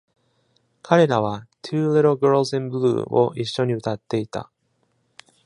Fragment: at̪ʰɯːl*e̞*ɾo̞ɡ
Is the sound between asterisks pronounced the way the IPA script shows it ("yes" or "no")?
yes